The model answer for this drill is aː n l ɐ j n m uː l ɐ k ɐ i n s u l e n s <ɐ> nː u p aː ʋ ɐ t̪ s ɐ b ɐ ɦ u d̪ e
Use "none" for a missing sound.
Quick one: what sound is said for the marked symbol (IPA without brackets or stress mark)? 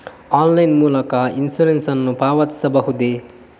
ɐ